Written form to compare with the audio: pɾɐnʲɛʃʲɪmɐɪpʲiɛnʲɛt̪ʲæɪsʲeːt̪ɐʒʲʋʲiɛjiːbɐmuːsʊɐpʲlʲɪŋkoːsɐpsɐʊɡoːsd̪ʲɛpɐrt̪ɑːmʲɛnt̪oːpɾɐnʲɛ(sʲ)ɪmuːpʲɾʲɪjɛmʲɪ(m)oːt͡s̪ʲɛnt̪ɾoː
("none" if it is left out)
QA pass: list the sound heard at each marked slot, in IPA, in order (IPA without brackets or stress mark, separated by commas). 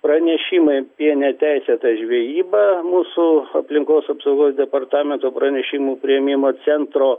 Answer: ʃʲ, m